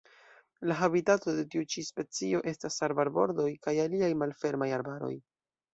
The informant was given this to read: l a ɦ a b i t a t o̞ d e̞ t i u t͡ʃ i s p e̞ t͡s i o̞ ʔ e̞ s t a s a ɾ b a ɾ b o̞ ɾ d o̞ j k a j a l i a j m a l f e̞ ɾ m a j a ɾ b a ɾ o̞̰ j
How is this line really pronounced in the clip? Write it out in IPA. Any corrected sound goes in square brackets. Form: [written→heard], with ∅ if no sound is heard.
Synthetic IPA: l a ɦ a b i t a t o̞ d e̞ t i u t͡ʃ i s p e̞ t͡s i o̞ ʔ e̞ s t a s a ɾ b a ɾ b o̞ ɾ d o̞ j k a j a l i a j m a l f e̞ ɾ m a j a ɾ b a ɾ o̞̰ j